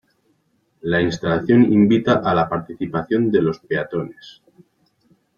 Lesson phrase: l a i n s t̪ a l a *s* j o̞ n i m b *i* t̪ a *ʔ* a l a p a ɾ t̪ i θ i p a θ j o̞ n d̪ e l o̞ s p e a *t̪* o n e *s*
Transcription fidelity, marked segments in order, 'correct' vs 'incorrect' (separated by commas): incorrect, correct, correct, correct, correct